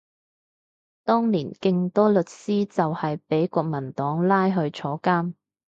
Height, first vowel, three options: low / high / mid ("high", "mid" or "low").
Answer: mid